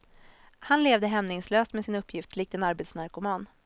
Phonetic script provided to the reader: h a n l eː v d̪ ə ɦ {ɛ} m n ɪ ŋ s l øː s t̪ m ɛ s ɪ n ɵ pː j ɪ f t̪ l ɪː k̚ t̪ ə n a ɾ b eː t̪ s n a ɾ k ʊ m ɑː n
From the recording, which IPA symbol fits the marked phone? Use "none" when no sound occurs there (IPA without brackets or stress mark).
ɛ